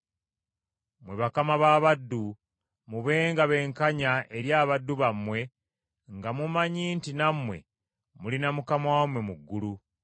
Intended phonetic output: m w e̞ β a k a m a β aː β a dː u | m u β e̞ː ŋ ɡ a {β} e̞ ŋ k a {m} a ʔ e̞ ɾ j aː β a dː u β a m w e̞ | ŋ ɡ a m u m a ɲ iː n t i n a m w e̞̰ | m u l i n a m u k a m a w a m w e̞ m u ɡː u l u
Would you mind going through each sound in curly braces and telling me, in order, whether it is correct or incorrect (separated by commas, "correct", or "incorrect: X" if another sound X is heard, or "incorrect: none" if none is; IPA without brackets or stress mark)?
correct, incorrect: ɲ